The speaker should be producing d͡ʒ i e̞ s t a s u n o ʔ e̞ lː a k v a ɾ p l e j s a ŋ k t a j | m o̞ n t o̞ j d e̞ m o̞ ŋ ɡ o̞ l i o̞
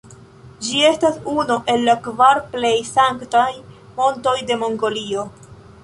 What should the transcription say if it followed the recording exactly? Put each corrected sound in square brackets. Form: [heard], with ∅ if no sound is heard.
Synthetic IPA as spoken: d͡ʒ i e̞ s t a s u n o ʔ e̞ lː a k v a ɾ p l e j s a ŋ k t a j | m o̞ n t o̞ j d e̞ m o̞ ŋ ɡ o̞ l i o̞